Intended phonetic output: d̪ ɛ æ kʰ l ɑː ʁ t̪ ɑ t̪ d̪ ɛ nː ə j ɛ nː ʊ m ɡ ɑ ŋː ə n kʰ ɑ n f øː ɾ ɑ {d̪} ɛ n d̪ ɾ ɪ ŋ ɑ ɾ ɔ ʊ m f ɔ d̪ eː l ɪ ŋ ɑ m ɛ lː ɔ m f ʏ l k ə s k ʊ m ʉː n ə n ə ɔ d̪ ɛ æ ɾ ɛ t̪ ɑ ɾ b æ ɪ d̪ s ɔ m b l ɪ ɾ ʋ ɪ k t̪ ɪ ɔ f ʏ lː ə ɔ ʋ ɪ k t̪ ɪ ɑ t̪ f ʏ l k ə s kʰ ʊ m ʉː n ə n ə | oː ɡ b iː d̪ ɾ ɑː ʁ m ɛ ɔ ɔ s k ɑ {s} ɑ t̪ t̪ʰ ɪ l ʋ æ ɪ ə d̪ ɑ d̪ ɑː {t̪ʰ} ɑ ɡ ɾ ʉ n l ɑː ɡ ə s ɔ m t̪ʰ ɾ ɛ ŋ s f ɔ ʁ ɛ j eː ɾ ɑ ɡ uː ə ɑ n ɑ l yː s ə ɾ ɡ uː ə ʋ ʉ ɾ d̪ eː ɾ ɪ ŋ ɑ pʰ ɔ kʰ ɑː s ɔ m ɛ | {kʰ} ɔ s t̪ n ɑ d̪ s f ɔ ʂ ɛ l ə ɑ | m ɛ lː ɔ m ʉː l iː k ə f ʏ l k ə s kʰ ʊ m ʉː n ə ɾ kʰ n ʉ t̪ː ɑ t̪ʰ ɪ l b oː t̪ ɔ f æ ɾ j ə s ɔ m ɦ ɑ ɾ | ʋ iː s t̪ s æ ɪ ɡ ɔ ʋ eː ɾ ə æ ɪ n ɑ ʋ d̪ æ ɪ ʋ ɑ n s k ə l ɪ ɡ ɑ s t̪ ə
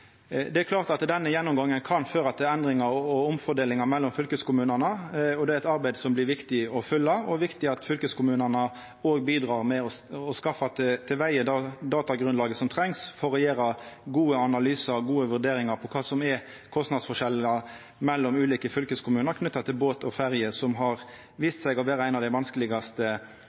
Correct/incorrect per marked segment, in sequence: incorrect: t̪, incorrect: f, incorrect: t̪, correct

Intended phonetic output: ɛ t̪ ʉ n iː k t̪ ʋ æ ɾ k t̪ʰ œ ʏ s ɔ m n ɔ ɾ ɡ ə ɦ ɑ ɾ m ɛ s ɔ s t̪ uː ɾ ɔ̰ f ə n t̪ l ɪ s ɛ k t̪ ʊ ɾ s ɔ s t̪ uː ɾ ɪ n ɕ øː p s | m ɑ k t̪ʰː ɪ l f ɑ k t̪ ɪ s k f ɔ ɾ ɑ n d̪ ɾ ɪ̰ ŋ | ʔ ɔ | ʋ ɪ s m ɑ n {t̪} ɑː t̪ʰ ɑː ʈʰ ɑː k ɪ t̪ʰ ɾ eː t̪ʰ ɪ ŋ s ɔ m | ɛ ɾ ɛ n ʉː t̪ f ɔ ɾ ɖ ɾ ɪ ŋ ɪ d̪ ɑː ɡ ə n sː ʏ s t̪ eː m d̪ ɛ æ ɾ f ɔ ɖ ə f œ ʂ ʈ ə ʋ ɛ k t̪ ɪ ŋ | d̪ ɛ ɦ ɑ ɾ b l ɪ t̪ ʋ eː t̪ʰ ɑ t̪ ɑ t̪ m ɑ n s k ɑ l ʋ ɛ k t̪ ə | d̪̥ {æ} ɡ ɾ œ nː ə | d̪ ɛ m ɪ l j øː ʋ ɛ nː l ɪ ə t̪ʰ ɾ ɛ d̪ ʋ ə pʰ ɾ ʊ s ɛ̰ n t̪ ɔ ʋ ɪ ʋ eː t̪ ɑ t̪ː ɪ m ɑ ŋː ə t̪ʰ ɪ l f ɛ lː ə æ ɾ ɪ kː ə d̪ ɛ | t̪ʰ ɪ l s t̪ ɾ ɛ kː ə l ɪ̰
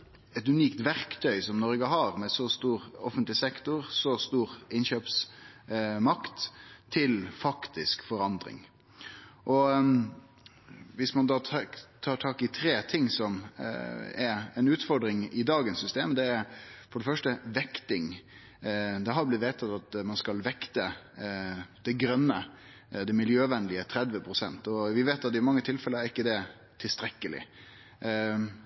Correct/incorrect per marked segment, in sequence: incorrect: d̪, incorrect: ɛ

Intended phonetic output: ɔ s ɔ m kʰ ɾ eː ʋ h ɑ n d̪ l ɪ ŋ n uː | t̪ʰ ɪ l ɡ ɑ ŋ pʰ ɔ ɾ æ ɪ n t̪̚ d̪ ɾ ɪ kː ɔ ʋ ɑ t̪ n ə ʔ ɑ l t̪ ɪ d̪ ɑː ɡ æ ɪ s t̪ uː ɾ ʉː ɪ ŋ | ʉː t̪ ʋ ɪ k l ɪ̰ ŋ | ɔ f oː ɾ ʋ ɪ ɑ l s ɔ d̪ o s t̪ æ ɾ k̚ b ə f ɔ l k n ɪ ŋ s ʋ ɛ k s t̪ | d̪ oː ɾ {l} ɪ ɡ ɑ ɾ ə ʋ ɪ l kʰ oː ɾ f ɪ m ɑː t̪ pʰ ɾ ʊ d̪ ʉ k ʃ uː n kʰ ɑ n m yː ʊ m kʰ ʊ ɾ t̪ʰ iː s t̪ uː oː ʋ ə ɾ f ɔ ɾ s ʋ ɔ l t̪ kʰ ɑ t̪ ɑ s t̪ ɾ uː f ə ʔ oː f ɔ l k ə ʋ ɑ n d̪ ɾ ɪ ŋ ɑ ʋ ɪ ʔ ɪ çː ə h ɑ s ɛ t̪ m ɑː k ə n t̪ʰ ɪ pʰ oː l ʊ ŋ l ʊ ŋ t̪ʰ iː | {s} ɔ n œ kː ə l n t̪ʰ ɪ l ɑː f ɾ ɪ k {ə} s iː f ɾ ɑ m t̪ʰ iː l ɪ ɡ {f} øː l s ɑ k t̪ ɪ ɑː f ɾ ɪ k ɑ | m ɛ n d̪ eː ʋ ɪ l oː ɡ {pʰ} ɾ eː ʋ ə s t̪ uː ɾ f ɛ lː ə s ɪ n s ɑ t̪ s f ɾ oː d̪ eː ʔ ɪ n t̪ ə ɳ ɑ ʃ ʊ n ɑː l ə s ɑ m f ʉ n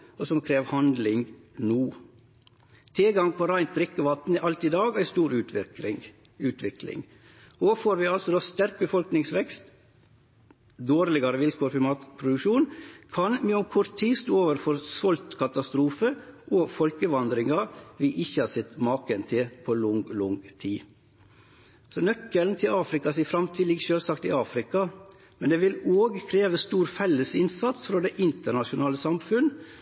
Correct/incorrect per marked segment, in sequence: correct, correct, incorrect: ɑ, incorrect: ʃ, incorrect: kʰ

